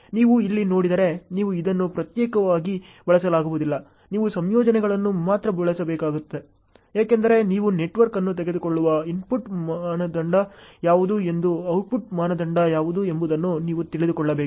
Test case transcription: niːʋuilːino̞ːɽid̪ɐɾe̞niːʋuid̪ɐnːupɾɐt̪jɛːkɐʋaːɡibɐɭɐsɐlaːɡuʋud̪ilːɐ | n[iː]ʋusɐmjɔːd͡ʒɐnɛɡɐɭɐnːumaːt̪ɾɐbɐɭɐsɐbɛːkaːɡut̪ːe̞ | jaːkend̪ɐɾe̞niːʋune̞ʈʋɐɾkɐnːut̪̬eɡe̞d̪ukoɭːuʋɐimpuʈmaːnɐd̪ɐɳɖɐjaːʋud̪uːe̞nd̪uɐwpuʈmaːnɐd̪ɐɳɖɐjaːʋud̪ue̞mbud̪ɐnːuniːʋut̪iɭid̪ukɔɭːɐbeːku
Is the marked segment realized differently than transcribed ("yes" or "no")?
no